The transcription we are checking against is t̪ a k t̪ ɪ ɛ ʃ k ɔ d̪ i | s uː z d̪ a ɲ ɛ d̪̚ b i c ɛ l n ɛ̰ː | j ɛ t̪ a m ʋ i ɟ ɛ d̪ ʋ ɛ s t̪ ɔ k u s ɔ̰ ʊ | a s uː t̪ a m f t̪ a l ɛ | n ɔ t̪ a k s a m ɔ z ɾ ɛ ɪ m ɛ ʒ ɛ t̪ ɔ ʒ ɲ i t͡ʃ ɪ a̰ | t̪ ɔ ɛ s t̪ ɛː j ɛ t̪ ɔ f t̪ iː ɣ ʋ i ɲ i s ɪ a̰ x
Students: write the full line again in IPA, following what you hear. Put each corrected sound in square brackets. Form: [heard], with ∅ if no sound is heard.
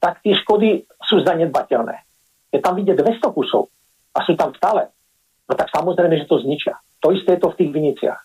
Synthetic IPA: t̪ a k t̪ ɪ ɛ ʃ k ɔ d̪ i | s uː z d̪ a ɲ ɛ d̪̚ b [a] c ɛ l n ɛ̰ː | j ɛ t̪ a m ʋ i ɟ ɛ d̪ ʋ ɛ s t̪ ɔ k u s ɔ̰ ʊ | a s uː t̪ a m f t̪ a l ɛ | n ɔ t̪ a k s a m ɔ z ɾ ɛ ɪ m ɛ ʒ ɛ t̪ ɔ [z] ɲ i t͡ʃ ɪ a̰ | t̪ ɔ [i] s t̪ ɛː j ɛ t̪ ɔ f t̪ iː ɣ ʋ i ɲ i [t͡s] ɪ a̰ x